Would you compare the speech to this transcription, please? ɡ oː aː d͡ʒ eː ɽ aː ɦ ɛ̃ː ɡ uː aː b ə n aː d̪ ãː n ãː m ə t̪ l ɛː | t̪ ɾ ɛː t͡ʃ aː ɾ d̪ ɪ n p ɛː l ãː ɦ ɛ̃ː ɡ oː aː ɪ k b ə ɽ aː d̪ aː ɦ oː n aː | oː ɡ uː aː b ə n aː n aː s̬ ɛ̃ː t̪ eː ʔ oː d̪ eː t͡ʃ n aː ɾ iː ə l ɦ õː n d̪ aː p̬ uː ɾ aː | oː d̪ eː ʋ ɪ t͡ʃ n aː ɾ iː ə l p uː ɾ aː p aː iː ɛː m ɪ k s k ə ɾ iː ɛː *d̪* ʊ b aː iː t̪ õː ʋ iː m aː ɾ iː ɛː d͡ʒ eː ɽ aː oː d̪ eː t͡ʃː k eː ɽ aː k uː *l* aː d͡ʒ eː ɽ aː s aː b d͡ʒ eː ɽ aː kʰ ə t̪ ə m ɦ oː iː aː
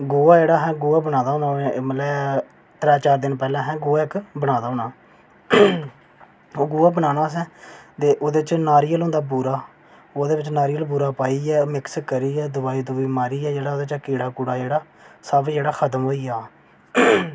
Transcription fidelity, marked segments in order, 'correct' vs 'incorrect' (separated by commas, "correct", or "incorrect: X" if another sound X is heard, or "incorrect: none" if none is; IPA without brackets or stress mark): correct, incorrect: ɽ